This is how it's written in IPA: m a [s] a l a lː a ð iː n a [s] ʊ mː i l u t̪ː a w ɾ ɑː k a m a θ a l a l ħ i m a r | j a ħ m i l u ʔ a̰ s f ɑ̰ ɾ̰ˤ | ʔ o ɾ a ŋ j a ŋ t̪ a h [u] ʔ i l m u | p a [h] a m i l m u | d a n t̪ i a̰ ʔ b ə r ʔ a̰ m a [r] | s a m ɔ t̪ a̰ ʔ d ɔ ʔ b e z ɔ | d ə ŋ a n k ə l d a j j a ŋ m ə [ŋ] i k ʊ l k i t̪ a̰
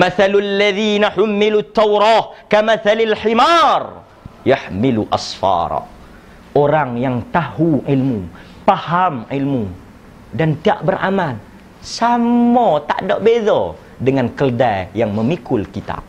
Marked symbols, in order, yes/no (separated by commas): no, no, yes, yes, no, no